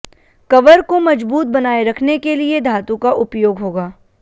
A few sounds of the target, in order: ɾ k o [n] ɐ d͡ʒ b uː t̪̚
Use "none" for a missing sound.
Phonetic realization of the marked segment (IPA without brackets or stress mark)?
m